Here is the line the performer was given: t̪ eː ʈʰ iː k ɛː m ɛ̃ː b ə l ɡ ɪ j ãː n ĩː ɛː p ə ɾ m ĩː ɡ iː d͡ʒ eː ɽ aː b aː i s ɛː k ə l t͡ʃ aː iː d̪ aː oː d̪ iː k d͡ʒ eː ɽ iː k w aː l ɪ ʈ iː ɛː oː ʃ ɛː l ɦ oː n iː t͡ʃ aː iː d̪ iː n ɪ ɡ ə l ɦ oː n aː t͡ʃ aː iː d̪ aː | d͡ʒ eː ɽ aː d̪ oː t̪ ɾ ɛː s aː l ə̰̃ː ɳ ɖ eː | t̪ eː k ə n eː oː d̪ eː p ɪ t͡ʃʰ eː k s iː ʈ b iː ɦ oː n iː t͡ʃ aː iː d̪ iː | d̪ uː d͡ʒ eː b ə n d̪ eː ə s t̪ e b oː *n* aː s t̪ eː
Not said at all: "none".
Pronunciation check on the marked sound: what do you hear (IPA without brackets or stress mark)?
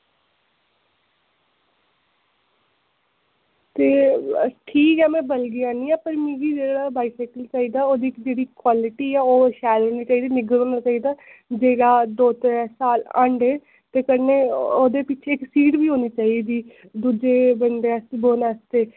n